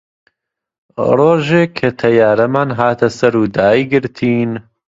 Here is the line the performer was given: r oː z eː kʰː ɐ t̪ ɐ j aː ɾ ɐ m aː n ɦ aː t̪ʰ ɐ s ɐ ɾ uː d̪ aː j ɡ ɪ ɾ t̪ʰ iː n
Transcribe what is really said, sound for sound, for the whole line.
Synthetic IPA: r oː ʒ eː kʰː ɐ t̪ʰ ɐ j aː ɾ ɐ m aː n ɦ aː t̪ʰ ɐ s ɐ ɾ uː d̪ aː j ɡ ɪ ɾ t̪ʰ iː n